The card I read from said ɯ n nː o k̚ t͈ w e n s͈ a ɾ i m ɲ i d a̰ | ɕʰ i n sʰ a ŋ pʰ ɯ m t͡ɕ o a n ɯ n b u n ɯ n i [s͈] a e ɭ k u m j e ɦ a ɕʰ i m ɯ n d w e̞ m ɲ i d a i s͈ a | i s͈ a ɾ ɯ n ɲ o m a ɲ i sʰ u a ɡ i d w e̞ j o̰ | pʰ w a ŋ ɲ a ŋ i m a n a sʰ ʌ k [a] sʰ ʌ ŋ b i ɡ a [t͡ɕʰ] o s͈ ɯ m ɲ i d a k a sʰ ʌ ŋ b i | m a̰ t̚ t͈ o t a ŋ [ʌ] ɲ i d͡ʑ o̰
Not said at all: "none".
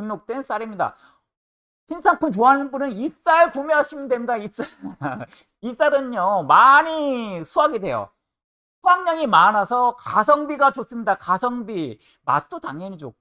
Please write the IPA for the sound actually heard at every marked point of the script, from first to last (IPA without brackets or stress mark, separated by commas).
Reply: s͈, a, t͡ɕ, ʌ